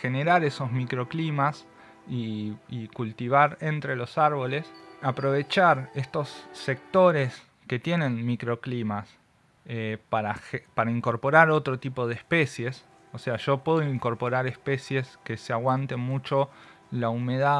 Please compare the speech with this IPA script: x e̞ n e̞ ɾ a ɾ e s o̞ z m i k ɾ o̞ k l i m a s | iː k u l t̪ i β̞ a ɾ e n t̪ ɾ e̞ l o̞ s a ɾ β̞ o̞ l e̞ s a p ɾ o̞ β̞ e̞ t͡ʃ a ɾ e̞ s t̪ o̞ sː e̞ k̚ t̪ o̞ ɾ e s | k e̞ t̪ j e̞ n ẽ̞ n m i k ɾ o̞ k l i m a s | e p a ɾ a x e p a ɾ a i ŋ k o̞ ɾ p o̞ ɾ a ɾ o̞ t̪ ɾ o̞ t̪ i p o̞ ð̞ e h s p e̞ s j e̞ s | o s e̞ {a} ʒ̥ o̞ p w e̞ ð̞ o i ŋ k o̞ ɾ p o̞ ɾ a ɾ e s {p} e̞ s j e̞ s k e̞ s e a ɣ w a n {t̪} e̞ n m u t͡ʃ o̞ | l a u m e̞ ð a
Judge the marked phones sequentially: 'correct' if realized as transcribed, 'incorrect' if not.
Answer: correct, correct, correct

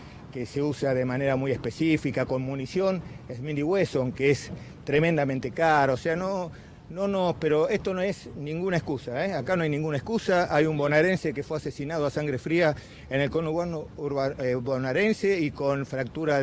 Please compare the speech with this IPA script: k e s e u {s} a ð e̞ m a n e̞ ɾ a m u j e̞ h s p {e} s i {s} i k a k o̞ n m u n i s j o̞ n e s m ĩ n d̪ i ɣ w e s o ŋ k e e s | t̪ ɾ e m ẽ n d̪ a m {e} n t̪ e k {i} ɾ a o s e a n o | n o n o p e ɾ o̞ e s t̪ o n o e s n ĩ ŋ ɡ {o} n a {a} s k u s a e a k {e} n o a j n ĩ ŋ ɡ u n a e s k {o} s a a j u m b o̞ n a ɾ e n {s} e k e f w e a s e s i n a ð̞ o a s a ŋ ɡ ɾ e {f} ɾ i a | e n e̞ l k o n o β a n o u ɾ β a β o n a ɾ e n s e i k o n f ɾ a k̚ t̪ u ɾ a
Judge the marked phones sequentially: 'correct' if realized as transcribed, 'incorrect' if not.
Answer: correct, correct, incorrect, incorrect, incorrect, incorrect, incorrect, incorrect, incorrect, correct, correct

